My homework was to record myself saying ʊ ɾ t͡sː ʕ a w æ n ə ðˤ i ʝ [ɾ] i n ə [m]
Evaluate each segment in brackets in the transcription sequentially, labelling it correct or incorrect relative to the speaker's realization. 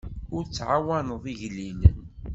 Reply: incorrect, incorrect

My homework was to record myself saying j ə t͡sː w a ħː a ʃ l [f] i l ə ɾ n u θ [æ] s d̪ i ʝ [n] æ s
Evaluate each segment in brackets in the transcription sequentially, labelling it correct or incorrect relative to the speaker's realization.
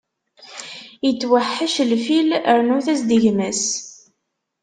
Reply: correct, correct, incorrect

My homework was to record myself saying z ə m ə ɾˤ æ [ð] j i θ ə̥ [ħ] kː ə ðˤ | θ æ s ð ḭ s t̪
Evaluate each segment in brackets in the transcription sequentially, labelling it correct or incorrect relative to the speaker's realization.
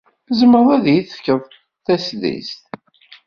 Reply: correct, incorrect

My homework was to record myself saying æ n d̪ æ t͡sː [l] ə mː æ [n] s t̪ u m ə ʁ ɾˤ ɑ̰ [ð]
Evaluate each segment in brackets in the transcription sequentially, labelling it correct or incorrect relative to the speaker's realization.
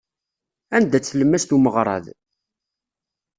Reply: correct, incorrect, correct

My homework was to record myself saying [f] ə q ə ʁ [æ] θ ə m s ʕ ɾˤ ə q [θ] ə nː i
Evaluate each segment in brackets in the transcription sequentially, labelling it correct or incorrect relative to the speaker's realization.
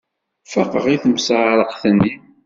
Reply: correct, incorrect, correct

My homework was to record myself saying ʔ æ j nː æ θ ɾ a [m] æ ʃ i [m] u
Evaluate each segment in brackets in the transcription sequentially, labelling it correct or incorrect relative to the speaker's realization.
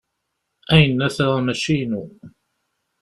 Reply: correct, incorrect

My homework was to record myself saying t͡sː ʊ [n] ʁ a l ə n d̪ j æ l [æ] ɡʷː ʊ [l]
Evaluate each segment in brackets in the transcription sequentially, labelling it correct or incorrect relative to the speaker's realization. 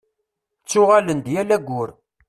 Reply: incorrect, correct, incorrect

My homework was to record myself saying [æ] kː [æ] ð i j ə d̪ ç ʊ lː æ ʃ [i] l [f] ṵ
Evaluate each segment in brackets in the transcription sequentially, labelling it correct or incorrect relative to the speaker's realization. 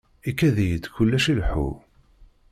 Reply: incorrect, correct, correct, incorrect

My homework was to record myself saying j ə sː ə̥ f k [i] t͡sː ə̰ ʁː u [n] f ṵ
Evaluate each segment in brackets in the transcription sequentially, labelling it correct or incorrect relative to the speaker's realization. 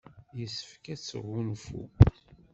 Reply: incorrect, correct

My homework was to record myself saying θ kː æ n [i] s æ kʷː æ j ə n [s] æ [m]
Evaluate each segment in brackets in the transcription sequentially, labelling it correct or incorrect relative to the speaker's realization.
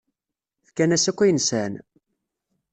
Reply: incorrect, correct, incorrect

